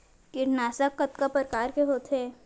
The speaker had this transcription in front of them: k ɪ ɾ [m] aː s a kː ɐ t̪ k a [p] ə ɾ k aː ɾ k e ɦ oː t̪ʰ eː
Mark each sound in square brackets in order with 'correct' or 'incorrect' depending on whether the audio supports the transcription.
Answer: incorrect, correct

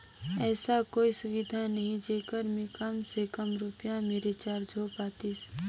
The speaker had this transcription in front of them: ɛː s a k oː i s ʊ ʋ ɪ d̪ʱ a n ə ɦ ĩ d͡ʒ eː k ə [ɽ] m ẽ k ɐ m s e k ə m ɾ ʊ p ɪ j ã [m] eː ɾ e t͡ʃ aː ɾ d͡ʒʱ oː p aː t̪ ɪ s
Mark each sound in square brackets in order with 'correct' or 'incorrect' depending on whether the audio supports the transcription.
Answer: incorrect, correct

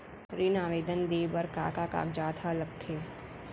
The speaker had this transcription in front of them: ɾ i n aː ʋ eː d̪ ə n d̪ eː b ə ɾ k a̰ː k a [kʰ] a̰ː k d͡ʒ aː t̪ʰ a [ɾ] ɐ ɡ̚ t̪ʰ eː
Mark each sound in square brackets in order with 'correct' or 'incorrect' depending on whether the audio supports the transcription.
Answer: incorrect, incorrect

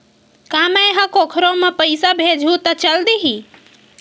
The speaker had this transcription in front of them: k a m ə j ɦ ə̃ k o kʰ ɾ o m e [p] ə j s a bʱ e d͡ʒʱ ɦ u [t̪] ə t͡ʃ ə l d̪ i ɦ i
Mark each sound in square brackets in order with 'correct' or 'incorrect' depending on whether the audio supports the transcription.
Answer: correct, correct

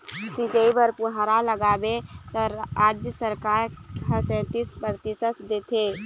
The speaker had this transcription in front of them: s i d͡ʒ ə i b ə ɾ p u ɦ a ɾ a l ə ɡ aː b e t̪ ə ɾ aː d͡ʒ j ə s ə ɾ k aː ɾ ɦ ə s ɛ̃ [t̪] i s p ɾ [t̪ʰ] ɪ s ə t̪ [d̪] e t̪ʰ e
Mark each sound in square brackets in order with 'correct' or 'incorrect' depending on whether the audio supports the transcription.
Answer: correct, incorrect, correct

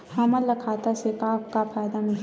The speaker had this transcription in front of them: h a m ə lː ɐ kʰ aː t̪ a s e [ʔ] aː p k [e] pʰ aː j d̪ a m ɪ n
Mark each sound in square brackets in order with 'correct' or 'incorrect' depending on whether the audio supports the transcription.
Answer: incorrect, incorrect

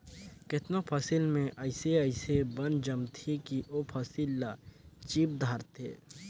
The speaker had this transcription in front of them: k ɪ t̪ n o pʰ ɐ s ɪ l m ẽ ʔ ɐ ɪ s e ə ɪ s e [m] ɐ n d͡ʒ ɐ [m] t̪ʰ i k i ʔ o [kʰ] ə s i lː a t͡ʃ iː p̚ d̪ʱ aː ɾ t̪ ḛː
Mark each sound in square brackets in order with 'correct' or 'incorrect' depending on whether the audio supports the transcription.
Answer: incorrect, correct, incorrect

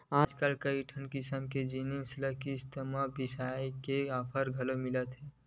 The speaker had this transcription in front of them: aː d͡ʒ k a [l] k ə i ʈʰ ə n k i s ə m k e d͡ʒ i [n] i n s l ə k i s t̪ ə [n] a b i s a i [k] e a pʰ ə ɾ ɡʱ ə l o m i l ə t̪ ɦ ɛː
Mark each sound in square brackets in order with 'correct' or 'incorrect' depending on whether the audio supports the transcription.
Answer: correct, correct, incorrect, correct

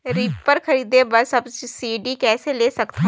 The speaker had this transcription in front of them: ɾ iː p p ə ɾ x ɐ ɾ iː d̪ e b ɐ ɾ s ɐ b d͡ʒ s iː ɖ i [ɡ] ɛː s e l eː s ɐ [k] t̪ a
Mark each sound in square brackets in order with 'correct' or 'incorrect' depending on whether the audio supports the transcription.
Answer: incorrect, correct

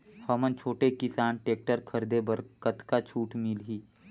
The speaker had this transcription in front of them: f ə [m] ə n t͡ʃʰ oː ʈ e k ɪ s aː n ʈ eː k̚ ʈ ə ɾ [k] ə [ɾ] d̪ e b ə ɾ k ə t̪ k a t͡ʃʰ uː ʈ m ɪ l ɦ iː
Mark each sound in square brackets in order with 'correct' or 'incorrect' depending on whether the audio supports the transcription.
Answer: correct, incorrect, correct

